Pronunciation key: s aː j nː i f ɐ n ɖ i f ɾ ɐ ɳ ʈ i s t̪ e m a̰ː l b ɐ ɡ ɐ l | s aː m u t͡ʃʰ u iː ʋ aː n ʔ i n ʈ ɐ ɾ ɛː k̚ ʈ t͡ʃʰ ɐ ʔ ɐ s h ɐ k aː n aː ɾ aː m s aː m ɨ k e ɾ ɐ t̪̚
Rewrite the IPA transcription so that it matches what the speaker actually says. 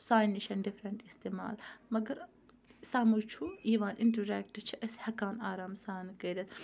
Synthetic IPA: s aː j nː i ʃ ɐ n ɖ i f ɾ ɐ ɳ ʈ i s t̪ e m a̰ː l m ɐ ɡ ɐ ɾ | s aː m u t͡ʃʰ u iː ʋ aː n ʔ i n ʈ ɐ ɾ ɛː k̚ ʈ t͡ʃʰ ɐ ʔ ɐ s h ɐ k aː n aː ɾ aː m s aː n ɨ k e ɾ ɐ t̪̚

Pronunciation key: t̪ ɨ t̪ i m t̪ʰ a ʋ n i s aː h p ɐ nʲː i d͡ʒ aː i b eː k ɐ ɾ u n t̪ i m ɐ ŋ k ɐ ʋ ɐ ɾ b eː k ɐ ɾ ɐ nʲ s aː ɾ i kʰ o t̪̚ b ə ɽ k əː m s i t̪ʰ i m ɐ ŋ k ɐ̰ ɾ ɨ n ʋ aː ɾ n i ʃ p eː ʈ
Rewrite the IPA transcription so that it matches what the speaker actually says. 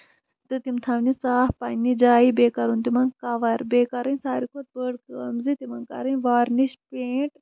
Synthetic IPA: t̪ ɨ t̪ i m t̪ʰ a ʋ n i s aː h p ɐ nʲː i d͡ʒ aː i b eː k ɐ ɾ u n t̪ i m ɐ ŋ k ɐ ʋ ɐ ɾ b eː k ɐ ɾ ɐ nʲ s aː ɾ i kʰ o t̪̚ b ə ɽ k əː m z i t̪ i m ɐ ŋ k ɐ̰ ɾ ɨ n ʋ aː ɾ n i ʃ p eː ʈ

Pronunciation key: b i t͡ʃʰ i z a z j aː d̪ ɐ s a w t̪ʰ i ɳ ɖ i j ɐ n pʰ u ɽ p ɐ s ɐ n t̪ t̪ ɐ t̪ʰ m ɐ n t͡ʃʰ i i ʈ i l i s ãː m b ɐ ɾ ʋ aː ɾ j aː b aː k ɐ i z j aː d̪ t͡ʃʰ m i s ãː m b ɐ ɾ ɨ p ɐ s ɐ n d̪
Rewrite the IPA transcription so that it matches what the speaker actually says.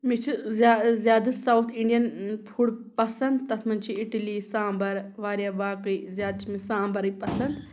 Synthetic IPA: m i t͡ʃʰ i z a z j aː d̪ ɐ s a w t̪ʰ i ɳ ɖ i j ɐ n pʰ u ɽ p ɐ s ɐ n d̪ t̪ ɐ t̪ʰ m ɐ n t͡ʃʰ i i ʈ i l i s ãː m b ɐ ɾ ʋ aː ɾ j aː b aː k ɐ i z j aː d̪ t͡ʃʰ m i s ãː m b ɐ ɾ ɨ p ɐ s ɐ n d̪

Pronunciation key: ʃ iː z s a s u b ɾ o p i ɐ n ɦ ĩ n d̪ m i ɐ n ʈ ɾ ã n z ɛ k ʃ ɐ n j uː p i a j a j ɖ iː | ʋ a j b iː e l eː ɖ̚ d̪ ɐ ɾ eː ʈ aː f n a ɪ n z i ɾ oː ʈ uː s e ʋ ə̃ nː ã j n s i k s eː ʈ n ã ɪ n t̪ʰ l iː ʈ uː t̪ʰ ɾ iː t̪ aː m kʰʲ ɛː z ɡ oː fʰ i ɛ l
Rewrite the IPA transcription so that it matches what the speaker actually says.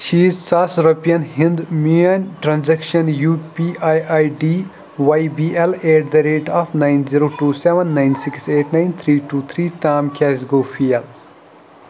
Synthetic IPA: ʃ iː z s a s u ɾ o p i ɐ n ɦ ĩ n d̪ m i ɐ n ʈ ɾ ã n z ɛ k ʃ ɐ n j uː p i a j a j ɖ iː | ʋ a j b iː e l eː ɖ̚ d̪ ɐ ɾ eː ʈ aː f n a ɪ n z i ɾ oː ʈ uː s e ʋ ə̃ nː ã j n s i k s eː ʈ n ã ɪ n t̪ʰ ɾ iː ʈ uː t̪ʰ ɾ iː t̪ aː m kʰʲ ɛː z ɡ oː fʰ i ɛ l

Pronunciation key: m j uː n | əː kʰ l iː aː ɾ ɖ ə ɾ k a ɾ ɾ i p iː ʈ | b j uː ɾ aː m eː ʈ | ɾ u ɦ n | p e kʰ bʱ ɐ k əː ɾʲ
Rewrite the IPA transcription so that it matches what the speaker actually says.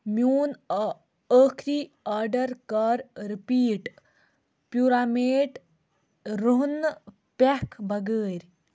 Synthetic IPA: m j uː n | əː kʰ ɾ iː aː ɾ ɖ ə ɾ k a ɾ ɾ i p iː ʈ | p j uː ɾ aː m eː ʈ | ɾ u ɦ n | p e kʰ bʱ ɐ ɡ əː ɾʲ

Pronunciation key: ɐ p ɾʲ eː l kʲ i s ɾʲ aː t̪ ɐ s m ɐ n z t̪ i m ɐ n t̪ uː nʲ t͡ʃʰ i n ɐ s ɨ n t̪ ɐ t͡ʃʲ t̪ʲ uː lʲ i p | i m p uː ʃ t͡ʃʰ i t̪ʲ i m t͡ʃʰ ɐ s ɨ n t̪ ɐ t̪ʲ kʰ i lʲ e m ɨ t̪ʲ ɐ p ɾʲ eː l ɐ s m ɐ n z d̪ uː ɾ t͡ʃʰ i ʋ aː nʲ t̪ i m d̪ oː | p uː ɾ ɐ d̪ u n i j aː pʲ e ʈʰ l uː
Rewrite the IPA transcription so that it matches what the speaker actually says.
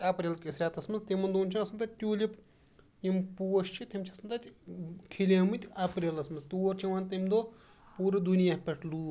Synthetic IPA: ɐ p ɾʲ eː l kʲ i s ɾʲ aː t̪ ɐ s m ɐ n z t̪ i m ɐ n d̪ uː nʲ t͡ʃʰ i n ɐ s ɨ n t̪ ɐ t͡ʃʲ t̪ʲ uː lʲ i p | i m p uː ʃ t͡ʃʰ i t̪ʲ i m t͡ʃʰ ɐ s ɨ n t̪ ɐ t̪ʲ kʰ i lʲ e m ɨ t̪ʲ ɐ p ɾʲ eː l ɐ s m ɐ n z t̪ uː ɾ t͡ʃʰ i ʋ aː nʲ t̪ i m d̪ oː | p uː ɾ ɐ d̪ u n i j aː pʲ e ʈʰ l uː

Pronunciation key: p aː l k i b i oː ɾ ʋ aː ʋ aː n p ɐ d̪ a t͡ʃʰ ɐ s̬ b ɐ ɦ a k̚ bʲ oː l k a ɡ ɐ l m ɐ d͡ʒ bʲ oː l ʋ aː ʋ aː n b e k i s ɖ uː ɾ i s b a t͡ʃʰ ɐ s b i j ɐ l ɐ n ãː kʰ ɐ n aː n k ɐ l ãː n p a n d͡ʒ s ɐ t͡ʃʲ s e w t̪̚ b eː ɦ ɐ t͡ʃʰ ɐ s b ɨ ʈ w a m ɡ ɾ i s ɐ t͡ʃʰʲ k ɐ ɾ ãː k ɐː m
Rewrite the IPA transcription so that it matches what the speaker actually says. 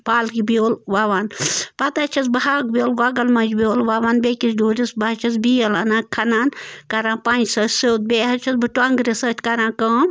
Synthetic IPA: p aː l k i b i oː l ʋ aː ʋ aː n p ɐ t̪ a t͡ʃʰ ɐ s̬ b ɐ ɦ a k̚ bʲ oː l ɡ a ɡ ɐ l m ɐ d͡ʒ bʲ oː l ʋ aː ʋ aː n b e k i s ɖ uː ɾ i s b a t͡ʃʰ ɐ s b i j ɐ l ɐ n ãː kʰ ɐ n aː n k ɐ ɾ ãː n p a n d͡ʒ s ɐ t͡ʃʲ s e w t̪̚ b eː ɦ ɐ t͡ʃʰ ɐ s b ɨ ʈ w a ŋ ɡ ɾ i s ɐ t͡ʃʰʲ k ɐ ɾ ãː k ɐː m

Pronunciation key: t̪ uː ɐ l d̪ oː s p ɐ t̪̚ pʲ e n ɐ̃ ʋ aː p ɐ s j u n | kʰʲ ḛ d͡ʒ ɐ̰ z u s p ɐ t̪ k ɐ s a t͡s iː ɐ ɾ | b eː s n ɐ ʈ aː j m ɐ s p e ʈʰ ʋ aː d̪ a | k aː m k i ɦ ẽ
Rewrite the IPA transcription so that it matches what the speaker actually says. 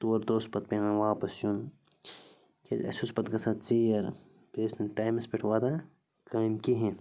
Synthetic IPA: t̪ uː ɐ ɾ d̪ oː s p ɐ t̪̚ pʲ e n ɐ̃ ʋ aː p ɐ s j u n | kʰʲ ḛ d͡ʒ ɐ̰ s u s p ɐ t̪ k ɐ s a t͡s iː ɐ ɾ | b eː s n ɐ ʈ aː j m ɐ s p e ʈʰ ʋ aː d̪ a | k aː m k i ɦ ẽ

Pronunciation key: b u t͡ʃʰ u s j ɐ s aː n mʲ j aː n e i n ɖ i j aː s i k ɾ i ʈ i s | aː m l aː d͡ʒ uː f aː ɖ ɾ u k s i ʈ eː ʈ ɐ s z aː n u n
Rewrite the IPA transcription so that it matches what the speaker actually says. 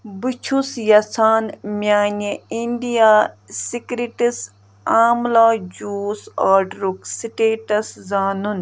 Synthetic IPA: b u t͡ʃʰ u s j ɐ s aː n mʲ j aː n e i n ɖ i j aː s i k ɾ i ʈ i s | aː m l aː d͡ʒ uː s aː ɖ ɾ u k s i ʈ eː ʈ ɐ s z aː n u n

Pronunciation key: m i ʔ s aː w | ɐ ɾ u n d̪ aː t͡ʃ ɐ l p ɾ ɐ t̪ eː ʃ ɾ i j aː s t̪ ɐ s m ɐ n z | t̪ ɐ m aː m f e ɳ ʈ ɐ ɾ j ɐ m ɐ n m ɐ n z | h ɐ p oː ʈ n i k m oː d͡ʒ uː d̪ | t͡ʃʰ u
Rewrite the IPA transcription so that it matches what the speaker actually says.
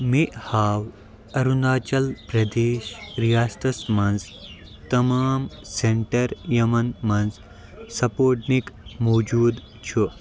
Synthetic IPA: m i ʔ h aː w | ɐ ɾ u n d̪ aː t͡ʃ ɐ l p ɾ ɐ d̪ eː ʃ ɾ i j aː s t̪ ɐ s m ɐ n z | t̪ ɐ m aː m s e ɳ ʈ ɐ ɾ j ɐ m ɐ n m ɐ n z | s ɐ p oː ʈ n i k m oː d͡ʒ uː d̪ | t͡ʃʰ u

